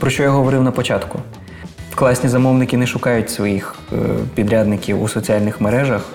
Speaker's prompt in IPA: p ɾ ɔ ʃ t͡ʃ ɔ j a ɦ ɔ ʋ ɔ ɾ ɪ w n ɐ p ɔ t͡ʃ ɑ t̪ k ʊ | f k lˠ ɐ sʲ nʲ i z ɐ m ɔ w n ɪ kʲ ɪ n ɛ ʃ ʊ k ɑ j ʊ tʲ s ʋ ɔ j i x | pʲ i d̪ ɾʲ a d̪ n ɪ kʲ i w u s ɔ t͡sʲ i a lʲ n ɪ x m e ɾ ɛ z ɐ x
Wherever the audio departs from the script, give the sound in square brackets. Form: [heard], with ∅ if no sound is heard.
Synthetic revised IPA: p ɾ ɔ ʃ t͡ʃ ɔ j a ɦ ɔ ʋ ɔ ɾ ɪ w n ɐ p ɔ t͡ʃ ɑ t̪ k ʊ | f k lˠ [ɑ] sʲ nʲ i z ɐ m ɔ w n ɪ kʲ ɪ n ɛ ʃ ʊ k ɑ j ʊ tʲ s ʋ ɔ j i x | pʲ i d̪ ɾʲ a d̪ n ɪ kʲ i w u s ɔ t͡sʲ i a lʲ n ɪ x m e ɾ ɛ [ʒ] ɐ x